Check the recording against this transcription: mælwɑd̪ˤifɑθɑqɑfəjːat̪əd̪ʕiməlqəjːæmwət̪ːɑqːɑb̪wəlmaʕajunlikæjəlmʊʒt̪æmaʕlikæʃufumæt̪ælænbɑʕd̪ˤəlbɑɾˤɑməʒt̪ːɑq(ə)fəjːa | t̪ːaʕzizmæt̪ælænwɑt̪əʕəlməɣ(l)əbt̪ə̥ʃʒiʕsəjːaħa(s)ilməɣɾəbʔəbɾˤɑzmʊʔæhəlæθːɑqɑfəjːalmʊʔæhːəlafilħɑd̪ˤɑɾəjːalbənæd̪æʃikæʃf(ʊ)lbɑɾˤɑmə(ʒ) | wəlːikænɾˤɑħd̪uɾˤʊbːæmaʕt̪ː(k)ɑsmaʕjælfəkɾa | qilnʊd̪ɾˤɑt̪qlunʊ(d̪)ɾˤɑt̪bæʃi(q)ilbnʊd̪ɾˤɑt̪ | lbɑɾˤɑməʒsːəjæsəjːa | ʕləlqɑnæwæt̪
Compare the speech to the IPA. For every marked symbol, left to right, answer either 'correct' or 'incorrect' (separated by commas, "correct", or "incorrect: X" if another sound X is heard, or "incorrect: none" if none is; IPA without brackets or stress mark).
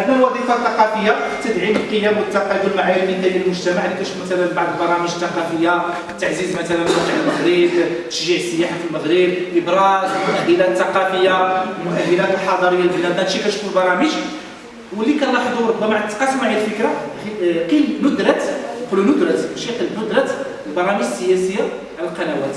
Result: incorrect: ɑ, incorrect: ɾ, incorrect: f, incorrect: u, correct, incorrect: q, correct, correct